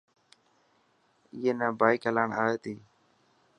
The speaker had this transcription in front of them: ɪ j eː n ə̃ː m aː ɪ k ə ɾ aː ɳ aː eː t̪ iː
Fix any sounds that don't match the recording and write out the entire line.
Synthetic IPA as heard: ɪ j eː n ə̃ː b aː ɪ k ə l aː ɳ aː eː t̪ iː